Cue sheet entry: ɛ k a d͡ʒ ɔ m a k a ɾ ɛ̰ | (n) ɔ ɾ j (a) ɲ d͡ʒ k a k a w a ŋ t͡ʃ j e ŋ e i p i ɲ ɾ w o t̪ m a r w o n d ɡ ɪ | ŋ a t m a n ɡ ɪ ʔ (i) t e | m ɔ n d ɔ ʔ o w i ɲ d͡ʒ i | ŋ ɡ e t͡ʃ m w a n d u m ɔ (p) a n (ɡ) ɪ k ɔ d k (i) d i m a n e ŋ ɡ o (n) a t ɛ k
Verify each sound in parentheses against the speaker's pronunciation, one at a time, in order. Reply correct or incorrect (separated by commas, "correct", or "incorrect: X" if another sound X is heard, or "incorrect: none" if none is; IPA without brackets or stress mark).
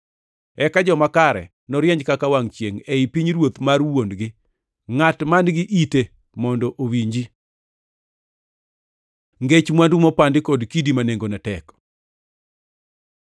correct, incorrect: ɛ, correct, correct, incorrect: d, correct, correct